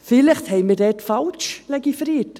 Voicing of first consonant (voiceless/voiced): voiceless